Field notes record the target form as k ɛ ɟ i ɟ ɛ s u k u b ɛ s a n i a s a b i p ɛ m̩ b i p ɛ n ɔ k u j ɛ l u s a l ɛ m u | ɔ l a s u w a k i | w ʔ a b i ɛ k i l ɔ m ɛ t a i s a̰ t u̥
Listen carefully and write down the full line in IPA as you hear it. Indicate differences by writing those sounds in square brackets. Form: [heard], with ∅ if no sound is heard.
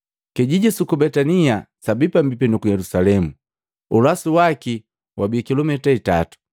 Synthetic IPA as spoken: k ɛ ɟ i ɟ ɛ s u k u b ɛ [t] a n i a s a b i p [a] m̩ b i p ɛ n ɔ k u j ɛ l u s a l ɛ m u | [u] l a s u w a k i | w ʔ a b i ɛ k i l ɔ m ɛ t a i [t] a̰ t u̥